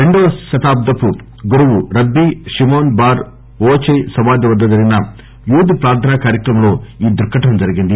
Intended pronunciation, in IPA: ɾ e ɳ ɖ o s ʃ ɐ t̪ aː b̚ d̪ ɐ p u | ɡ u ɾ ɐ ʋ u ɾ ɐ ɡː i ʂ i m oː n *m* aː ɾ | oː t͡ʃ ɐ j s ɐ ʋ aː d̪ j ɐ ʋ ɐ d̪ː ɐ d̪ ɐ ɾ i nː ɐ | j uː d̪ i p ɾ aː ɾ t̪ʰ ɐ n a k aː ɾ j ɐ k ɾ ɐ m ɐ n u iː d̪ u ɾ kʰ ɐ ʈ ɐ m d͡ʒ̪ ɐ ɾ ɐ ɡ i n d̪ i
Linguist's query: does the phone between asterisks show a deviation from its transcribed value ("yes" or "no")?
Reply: yes